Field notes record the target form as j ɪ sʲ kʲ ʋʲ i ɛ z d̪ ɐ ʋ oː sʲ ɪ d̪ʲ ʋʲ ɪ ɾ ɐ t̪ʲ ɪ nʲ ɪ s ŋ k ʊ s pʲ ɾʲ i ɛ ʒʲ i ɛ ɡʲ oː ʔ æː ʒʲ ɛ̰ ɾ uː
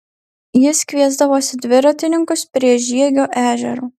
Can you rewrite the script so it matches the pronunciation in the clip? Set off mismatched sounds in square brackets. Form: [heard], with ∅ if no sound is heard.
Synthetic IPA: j ɪ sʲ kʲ ʋʲ i ɛ z d̪ ɐ ʋ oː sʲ ɪ d̪ʲ ʋʲ ɪ ɾ ɐ t̪ʲ ɪ nʲ ɪ [∅] ŋ k ʊ s pʲ ɾʲ i ɛ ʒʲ i ɛ ɡʲ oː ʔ æː ʒʲ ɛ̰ ɾ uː